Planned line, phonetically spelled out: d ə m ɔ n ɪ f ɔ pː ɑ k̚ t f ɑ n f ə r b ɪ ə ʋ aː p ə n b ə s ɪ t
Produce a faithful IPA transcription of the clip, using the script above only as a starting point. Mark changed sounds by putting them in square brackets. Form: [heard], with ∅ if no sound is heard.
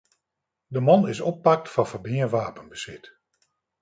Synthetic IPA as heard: d ə m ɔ n ɪ [s] ɔ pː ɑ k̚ t f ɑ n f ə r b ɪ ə ʋ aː p ə n b ə s ɪ t